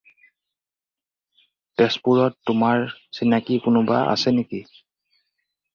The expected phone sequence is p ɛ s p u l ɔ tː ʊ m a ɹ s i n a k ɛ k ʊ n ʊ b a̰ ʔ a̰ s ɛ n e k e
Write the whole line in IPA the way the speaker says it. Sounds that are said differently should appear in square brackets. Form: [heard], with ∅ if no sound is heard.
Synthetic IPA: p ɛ s p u [ɹ] ɔ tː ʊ m a ɹ s i n a k [i] k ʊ n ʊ b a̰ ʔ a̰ s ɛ n e k [i]